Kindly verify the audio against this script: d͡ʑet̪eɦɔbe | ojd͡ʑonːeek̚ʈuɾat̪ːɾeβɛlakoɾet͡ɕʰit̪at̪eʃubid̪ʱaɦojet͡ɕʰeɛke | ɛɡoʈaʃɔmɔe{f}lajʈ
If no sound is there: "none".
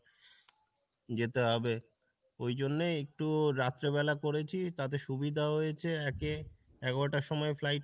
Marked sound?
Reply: f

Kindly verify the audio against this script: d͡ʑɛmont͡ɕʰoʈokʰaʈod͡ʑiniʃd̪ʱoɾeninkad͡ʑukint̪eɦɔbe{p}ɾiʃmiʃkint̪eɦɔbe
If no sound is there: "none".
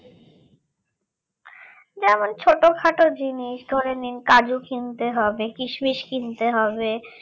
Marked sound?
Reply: k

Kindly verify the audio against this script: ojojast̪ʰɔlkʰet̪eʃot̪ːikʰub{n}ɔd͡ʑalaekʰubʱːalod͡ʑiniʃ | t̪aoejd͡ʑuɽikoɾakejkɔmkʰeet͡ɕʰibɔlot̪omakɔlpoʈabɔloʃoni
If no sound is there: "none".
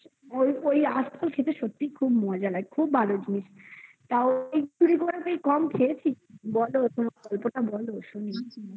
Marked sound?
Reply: m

